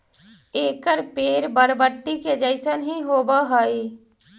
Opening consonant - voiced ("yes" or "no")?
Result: no